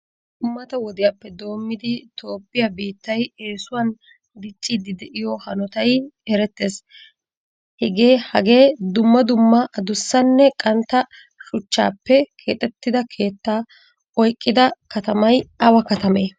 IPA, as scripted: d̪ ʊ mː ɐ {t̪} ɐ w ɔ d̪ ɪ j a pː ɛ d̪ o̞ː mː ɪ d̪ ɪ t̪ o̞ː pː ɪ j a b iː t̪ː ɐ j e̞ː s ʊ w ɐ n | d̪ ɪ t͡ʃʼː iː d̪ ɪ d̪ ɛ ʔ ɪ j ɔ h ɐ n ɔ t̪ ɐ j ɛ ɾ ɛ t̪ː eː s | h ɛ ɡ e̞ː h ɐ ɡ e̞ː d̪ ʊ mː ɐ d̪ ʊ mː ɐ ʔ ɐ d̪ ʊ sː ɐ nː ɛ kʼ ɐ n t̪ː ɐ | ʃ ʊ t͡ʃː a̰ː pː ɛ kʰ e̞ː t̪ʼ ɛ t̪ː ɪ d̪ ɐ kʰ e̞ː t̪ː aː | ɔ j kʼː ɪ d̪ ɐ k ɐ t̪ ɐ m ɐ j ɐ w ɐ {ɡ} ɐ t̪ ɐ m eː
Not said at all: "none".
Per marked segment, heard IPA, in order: t̪, k

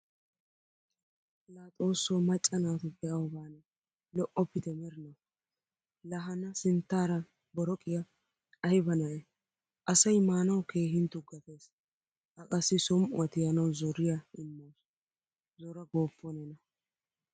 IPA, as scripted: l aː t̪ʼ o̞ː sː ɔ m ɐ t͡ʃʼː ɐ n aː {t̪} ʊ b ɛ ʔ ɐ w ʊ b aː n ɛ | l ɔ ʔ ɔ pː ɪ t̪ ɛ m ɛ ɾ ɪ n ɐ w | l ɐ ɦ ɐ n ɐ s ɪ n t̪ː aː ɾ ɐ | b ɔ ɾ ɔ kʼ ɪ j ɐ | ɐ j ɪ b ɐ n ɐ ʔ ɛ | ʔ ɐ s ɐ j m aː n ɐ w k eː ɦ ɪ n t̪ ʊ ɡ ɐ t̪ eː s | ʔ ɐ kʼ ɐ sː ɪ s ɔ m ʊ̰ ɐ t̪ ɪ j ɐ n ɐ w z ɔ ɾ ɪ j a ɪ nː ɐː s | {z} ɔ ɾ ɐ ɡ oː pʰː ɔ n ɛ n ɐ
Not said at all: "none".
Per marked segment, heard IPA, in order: t̪, z

